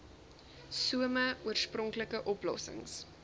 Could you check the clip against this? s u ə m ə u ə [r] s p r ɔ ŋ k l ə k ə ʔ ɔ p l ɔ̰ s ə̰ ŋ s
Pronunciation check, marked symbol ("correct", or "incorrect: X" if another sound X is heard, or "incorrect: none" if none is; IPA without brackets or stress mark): correct